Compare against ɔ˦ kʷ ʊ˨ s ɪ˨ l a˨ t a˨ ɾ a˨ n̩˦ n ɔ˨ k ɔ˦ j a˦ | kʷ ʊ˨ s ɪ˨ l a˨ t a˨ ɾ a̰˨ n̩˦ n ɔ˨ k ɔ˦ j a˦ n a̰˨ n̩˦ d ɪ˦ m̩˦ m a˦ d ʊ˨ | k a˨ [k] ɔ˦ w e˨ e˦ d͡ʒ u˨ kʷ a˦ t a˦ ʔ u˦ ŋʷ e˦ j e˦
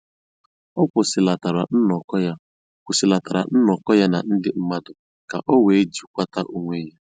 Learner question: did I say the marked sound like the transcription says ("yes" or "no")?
no